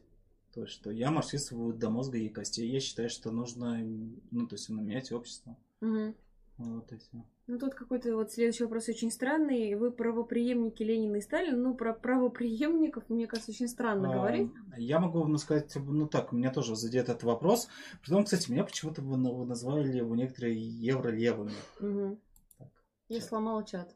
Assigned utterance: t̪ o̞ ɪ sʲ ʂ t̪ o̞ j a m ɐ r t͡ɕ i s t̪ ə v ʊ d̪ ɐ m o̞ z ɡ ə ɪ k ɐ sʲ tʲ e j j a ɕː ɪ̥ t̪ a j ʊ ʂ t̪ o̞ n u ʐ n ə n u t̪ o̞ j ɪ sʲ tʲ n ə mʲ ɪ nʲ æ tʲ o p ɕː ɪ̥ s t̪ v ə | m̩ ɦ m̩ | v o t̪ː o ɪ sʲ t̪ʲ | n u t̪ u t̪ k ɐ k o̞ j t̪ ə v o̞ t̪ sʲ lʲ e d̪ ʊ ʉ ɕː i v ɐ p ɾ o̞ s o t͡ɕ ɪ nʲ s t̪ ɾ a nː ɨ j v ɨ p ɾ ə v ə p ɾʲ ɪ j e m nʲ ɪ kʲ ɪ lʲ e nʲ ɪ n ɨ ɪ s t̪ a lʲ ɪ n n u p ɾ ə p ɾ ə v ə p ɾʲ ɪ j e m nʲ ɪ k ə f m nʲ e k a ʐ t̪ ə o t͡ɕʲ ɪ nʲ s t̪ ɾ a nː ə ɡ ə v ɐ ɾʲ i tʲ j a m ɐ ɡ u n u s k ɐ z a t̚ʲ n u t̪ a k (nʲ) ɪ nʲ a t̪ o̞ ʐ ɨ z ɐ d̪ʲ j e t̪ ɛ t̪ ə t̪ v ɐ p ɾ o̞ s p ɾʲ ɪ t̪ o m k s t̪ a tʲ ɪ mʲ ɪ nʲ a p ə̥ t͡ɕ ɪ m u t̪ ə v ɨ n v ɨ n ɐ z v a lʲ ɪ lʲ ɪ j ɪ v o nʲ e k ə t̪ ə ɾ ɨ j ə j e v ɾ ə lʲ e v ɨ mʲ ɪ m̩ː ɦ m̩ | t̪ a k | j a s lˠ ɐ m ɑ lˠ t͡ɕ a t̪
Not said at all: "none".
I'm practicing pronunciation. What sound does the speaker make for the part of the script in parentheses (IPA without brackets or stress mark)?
mʲ